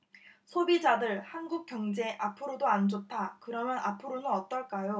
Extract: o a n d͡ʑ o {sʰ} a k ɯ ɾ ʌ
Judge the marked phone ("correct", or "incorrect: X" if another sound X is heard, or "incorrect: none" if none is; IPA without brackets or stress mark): incorrect: tʰ